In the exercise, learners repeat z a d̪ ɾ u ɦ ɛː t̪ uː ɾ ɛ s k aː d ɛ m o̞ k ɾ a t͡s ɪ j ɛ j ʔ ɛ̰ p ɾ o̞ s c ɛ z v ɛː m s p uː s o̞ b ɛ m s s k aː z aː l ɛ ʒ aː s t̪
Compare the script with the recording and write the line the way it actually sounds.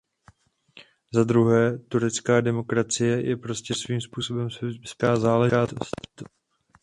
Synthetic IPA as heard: z a d̪ ɾ u ɦ ɛː t̪ u ɾ ɛ t͡s k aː d ɛ m o̞ k ɾ a t͡s ɪ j ɛ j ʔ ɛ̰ p ɾ o̞ s c ɛ s v iː m s p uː s o̞ b ɛ m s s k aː z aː l ɛ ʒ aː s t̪